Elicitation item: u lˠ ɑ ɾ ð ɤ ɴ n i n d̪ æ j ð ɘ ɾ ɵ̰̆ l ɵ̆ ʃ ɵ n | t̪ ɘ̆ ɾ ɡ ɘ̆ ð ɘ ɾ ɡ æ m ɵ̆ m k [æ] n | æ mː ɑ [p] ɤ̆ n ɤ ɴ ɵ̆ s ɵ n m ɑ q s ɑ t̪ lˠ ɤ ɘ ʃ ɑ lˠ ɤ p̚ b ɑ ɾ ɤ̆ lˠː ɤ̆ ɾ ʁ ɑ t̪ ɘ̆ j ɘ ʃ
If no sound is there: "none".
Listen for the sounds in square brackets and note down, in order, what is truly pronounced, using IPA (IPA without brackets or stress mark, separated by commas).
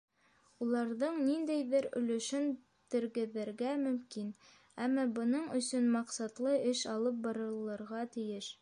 i, b